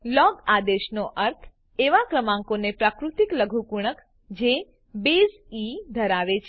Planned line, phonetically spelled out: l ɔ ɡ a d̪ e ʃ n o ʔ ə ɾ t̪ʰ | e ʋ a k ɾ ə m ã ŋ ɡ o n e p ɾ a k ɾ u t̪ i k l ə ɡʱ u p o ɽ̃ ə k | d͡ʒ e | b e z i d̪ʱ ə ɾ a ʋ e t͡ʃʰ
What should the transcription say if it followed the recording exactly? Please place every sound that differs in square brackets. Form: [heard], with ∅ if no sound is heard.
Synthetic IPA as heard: l ɔ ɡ a d̪ e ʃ n o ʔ ə ɾ t̪ʰ | e ʋ a k ɾ ə m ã ŋ [k] o n e p ɾ a k ɾ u t̪ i k l ə ɡʱ u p [u] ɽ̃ ə k | d͡ʒ e | b e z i d̪ʱ ə ɾ a ʋ e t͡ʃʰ